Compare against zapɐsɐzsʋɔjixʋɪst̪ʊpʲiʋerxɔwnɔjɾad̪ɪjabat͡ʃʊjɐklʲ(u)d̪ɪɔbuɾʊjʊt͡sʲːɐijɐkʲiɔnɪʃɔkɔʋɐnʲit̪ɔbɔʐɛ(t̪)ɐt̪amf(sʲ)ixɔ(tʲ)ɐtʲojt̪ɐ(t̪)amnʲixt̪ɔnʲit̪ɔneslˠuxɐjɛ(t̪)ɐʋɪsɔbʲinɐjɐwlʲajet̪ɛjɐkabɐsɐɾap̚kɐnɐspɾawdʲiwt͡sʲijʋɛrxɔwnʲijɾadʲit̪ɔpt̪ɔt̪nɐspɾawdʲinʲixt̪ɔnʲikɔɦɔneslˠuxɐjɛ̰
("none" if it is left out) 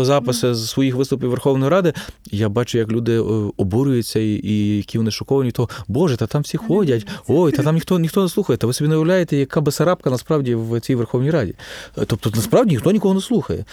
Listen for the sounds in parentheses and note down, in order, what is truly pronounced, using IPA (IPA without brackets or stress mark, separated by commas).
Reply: u, t̪, sʲ, dʲ, t̪, t̪